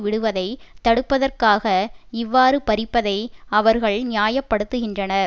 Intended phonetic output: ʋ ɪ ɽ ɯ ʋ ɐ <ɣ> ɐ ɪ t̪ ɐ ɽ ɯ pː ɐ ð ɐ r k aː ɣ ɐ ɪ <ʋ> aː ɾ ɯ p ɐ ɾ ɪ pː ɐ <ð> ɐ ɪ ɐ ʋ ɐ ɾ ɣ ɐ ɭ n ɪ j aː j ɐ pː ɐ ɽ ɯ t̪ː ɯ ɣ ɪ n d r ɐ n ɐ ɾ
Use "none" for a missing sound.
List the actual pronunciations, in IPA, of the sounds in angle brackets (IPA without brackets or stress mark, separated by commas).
ð, ʋː, ð